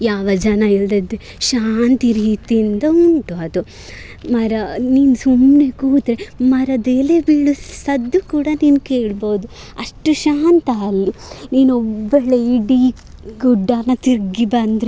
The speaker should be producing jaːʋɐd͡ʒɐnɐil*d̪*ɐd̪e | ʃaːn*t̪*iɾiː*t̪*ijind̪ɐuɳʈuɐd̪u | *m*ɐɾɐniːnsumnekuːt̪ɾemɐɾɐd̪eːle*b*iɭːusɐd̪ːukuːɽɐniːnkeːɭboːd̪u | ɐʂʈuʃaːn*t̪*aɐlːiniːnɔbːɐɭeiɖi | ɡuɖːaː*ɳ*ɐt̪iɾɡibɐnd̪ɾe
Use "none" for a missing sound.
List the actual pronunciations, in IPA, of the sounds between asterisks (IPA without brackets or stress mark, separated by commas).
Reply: d̪, t̪, t̪, m, b, t̪, n